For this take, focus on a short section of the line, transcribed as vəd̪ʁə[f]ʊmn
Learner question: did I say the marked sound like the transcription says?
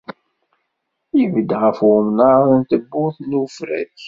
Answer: yes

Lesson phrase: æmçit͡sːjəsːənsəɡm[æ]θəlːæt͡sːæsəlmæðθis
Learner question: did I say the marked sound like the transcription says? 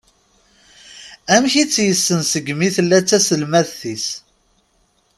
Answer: no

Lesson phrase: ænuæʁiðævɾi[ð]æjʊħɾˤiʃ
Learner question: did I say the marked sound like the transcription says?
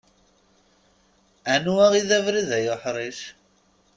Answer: yes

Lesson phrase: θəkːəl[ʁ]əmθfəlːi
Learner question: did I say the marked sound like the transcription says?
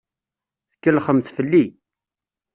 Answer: no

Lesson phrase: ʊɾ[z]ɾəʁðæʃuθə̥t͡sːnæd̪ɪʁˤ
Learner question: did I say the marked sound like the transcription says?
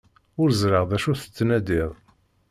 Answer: yes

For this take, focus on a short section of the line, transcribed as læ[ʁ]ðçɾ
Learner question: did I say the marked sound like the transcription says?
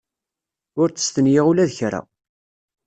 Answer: no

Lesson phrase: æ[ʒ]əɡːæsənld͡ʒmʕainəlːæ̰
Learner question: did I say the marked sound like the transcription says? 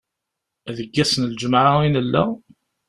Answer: no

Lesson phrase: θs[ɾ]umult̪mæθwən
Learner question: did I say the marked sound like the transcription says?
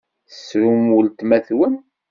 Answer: yes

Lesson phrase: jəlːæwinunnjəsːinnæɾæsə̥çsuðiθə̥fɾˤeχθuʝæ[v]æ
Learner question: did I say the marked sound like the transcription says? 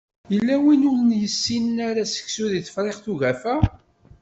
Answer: no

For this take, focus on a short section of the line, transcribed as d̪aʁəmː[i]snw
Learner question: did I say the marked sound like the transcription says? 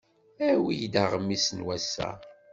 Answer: yes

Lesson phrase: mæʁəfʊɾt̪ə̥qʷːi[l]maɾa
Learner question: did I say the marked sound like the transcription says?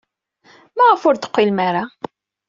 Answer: yes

